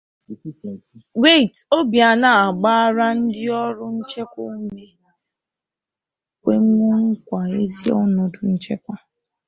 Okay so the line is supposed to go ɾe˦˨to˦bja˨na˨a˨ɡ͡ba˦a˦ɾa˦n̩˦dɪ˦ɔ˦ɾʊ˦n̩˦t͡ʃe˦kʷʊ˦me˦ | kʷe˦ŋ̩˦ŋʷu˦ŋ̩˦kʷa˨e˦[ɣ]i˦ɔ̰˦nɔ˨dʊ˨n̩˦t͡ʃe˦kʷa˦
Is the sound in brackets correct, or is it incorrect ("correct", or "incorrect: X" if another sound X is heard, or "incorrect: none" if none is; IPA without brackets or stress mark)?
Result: incorrect: z